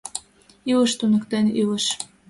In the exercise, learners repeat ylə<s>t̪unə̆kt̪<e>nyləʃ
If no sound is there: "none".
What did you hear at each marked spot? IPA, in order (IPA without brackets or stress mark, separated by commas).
ʃ, e